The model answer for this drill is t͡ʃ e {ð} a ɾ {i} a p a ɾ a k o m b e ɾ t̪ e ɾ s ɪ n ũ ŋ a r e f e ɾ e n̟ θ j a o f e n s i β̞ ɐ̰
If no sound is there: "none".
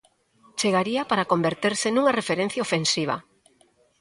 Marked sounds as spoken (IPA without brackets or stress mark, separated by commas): ɣ, i